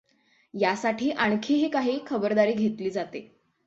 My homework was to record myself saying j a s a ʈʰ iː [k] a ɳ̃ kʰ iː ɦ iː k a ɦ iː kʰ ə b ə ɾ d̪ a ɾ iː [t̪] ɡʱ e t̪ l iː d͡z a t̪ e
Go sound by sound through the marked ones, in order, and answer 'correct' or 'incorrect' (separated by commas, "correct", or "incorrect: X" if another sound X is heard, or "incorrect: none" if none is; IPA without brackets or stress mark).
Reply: incorrect: ʔ, incorrect: none